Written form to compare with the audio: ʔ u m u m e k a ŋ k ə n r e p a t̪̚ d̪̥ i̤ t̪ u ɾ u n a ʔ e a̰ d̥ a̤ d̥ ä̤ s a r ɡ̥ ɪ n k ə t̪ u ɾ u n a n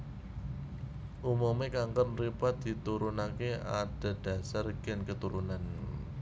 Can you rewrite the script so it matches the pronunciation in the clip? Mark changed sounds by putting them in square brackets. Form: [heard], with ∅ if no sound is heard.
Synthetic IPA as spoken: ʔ u m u m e k a ŋ k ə n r [i] p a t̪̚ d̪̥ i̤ t̪ u ɾ u n a [k] e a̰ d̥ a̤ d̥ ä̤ s a r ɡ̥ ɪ n k ə t̪ u ɾ u n a n